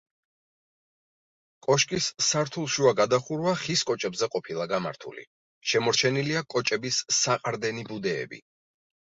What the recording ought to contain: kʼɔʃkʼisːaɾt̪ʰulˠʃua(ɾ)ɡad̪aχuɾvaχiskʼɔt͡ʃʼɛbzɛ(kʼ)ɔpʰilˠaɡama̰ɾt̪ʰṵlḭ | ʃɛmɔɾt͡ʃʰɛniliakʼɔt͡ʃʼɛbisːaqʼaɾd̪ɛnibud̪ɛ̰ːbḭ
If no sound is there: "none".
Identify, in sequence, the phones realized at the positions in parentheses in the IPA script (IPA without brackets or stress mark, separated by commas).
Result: none, qʼ